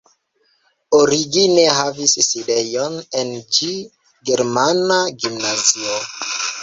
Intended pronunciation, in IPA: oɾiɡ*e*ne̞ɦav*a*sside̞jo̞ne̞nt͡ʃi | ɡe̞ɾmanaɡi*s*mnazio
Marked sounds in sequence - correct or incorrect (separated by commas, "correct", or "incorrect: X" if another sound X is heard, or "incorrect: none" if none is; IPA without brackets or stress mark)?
incorrect: i, incorrect: i, incorrect: none